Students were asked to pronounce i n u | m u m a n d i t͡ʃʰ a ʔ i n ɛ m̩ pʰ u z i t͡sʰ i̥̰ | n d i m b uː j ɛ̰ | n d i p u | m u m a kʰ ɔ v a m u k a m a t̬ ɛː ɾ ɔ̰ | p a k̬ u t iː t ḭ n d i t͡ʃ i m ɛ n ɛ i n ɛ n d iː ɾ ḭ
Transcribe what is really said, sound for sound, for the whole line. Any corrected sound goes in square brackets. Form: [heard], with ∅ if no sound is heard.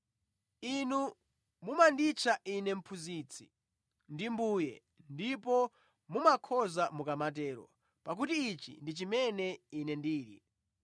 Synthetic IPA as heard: i n u | m u m a n d i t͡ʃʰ a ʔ i n ɛ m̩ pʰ u z i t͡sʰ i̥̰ | n d i m b uː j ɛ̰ | n d i p [ɔ] | m u m a kʰ ɔ [z] a m u k a m a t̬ ɛː ɾ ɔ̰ | p a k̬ u t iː [t͡ʃ] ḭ n d i t͡ʃ i m ɛ n ɛ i n ɛ n d iː ɾ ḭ